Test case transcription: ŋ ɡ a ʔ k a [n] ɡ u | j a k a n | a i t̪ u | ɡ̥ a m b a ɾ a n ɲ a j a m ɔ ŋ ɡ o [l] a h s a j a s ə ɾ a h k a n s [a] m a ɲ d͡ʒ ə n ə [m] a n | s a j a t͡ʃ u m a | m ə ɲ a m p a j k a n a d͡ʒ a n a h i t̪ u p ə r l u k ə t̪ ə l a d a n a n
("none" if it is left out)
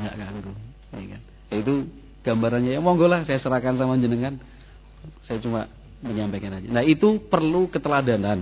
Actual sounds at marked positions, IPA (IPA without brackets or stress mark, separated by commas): ŋ, l, a, ŋ